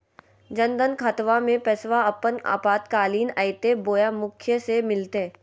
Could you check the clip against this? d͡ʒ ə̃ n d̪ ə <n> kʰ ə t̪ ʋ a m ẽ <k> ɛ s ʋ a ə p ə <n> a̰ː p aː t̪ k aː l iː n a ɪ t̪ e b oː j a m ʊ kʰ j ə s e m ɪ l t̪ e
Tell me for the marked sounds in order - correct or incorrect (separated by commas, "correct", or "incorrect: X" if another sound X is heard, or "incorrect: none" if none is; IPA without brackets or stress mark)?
correct, incorrect: p, correct